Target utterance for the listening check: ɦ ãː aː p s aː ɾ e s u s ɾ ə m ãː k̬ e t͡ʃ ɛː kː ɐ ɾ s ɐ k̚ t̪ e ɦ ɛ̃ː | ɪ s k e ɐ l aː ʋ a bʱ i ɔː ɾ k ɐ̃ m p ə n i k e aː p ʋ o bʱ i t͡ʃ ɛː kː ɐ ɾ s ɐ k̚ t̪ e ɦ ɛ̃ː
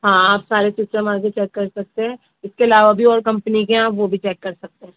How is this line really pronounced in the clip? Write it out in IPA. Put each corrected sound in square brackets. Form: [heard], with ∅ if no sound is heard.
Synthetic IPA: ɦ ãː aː p s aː ɾ e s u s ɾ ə m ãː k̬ e t͡ʃ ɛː kː ɐ ɾ s ɐ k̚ t̪ e ɦ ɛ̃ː | ɪ s k e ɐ l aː ʋ a bʱ i ɔː ɾ k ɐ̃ m p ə n i k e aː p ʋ o bʱ i t͡ʃ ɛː kː ɐ ɾ s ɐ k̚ t̪ e ɦ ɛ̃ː